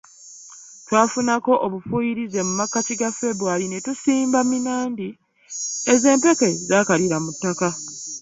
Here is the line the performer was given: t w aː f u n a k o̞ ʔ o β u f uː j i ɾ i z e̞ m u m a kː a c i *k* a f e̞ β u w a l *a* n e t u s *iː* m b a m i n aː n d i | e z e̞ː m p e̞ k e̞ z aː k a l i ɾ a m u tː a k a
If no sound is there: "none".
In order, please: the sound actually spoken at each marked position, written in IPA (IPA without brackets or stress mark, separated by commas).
ɡ, i, iː